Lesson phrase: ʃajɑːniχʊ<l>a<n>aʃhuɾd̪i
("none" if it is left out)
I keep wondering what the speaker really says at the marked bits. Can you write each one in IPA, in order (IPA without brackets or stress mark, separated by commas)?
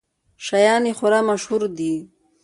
ɾ, m